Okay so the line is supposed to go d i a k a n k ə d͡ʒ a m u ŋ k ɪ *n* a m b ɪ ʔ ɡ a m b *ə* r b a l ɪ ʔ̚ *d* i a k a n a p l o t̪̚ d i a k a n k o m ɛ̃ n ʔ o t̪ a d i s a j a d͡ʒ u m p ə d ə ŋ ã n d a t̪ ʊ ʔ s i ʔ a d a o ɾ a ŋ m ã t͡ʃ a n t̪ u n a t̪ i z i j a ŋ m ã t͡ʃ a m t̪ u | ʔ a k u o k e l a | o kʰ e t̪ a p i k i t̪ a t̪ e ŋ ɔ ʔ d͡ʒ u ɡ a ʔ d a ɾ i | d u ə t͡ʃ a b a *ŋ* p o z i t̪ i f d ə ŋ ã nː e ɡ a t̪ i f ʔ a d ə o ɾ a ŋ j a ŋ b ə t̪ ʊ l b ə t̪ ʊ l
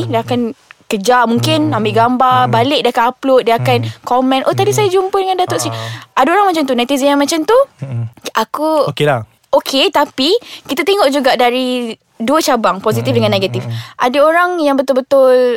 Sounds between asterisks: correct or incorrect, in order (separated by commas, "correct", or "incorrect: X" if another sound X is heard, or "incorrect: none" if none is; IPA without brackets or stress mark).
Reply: correct, incorrect: a, correct, correct